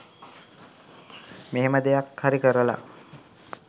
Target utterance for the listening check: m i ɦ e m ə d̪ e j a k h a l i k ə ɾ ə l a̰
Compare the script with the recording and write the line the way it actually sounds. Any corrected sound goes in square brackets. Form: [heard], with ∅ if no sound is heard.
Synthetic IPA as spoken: m [e] ɦ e m ə d̪ e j a k h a [ɾ] i k ə ɾ ə l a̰